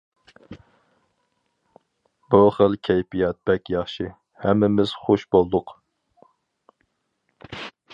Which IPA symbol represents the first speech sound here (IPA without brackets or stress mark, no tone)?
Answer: b